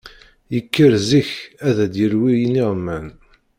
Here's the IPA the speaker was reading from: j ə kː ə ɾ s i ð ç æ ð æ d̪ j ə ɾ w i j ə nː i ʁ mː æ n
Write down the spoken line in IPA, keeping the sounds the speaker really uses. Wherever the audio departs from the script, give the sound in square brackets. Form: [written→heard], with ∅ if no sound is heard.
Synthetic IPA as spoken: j ə kː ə ɾ [s→z] i [ð→∅] ç æ ð æ d̪ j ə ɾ w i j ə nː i ʁ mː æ n